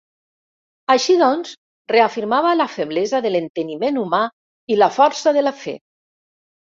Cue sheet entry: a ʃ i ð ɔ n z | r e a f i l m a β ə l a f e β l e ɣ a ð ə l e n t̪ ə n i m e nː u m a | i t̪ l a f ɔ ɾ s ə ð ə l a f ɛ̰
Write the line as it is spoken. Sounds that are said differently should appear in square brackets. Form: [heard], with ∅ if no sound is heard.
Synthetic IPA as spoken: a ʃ i ð ɔ n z | r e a f i [ɾ] m a β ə l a f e β l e [z] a ð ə l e n t̪ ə n i m e [n] u m a | i [∅] l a f ɔ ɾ s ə ð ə l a f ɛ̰